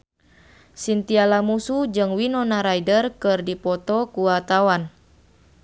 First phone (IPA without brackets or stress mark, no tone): s